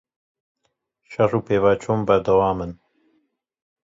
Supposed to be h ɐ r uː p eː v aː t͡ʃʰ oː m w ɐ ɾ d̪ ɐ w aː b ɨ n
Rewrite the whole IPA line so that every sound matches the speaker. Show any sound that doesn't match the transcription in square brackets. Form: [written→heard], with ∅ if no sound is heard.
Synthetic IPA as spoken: [h→ʃ] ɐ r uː p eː v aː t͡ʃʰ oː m [w→b] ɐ ɾ d̪ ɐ w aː [b→m] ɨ n